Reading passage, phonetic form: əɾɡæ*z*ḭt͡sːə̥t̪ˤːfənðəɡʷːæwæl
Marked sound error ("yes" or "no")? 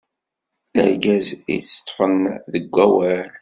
no